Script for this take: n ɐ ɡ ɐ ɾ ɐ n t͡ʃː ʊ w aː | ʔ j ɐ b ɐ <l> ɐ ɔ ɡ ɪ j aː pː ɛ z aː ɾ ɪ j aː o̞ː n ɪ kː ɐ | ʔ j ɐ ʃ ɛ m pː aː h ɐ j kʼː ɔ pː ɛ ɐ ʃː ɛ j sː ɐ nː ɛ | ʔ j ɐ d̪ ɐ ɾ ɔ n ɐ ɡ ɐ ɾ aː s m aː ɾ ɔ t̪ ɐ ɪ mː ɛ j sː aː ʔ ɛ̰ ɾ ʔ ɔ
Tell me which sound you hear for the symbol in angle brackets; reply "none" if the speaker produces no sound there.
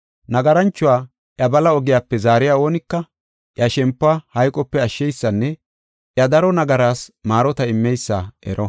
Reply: l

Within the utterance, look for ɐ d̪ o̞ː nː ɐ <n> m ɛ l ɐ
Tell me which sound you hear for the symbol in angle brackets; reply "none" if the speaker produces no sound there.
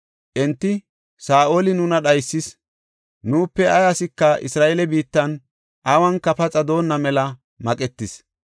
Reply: none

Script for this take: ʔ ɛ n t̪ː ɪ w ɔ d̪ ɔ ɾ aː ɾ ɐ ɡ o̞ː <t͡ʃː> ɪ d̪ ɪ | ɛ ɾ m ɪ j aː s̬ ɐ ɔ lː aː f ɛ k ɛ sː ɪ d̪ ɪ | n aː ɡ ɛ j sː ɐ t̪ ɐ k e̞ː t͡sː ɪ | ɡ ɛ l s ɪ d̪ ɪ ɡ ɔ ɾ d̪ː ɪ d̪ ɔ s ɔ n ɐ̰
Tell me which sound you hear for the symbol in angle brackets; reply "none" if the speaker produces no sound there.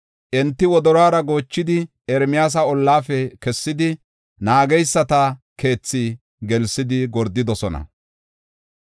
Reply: t͡ʃː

